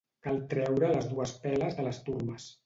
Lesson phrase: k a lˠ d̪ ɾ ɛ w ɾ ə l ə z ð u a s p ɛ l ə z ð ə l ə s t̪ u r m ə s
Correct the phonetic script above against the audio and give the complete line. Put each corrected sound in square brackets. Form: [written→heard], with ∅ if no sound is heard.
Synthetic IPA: k a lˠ [d̪→t̪] ɾ ɛ w ɾ ə l ə z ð u [a→ə] s p ɛ l ə z ð ə l ə s t̪ u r m ə s